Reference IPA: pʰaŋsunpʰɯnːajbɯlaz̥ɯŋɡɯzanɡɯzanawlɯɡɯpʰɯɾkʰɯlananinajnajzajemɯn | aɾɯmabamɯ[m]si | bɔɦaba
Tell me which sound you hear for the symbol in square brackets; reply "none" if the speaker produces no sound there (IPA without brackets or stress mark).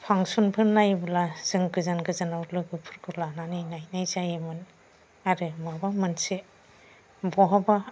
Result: n